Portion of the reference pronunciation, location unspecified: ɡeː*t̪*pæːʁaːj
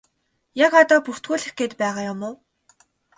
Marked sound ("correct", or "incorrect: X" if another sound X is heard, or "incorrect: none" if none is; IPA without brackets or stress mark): correct